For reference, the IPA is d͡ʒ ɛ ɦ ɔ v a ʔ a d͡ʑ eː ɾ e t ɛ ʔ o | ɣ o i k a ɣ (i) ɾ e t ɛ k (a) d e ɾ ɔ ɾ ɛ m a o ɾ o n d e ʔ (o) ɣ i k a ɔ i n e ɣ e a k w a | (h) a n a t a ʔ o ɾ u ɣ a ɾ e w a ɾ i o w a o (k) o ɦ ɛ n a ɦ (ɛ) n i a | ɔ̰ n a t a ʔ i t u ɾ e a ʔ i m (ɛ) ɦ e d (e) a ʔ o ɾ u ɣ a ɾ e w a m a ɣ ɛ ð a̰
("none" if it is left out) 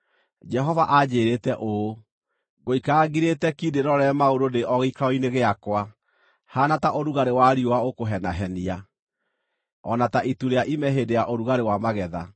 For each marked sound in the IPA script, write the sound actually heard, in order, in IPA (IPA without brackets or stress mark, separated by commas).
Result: i, i, ɔ, h, k, ɛ, ɛ, e